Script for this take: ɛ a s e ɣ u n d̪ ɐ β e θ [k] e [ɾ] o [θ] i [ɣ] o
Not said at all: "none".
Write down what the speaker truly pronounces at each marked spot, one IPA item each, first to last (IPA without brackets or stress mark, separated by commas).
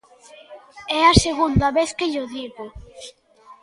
k, ʎ, ð, ɣ